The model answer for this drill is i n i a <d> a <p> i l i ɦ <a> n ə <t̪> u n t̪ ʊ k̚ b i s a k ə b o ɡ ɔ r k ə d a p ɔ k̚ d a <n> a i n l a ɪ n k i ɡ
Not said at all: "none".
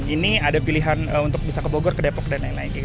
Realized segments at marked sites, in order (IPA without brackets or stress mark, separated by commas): d, p, a, none, n